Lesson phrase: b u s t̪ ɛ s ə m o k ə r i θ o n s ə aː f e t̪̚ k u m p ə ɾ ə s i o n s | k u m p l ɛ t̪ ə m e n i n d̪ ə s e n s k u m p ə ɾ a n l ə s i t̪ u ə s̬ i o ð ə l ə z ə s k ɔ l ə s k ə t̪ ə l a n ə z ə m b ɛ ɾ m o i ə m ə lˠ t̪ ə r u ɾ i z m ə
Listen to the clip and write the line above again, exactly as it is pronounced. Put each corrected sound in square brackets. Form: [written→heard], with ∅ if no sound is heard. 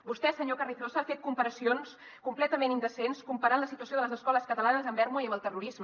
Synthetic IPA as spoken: b u s t̪ ɛ s ə [m→ɲ] o k ə r i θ o [n→∅] s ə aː f e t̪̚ k u m p ə ɾ ə s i o n s | k u m p l ɛ t̪ ə m e n i n d̪ ə s e n s k u m p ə ɾ a n l ə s i t̪ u ə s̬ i o ð ə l ə z ə s k ɔ l ə s k ə t̪ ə l a n ə z ə m b ɛ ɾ m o i ə m ə lˠ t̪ ə r u ɾ i z m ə